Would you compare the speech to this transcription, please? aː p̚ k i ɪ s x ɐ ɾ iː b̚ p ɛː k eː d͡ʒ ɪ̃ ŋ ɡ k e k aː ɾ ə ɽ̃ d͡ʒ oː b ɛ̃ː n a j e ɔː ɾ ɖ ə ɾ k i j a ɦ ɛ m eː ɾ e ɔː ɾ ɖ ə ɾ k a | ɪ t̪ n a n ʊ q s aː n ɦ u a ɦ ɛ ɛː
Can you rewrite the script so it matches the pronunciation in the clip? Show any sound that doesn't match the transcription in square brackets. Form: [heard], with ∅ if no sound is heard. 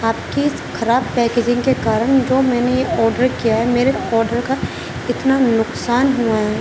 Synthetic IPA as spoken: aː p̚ k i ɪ s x ɐ ɾ [aː] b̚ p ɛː k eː d͡ʒ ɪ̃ ŋ ɡ k e k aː ɾ ə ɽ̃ d͡ʒ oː [m] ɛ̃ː n [e] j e ɔː ɾ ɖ ə ɾ k i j a ɦ ɛ m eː ɾ e ɔː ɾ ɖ ə ɾ k a | ɪ t̪ n a n ʊ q s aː n ɦ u a ɦ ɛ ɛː